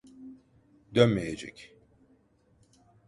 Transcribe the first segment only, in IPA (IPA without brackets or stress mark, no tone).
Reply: d̪